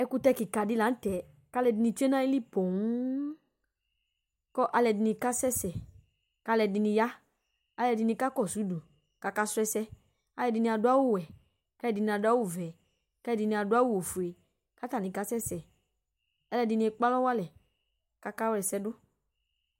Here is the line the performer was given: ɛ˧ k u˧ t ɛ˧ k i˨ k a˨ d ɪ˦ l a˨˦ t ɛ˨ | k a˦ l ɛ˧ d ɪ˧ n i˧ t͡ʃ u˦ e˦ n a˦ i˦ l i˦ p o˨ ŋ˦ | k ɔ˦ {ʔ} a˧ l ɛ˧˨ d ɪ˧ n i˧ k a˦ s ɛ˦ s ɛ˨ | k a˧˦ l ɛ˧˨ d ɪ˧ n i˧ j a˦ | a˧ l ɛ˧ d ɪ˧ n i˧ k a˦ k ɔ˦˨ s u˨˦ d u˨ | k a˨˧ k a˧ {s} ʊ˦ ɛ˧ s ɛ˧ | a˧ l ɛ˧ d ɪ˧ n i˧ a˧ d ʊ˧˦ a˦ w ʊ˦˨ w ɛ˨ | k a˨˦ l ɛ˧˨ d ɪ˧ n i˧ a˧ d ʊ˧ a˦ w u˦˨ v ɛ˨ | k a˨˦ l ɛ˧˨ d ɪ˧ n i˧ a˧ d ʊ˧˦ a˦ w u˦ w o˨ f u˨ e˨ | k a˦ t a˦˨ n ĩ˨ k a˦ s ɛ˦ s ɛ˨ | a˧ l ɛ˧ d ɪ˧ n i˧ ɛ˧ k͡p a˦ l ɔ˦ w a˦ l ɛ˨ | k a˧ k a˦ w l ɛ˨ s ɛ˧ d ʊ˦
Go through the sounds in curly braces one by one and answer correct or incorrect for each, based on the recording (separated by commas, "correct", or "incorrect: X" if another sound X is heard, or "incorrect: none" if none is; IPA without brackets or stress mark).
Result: correct, correct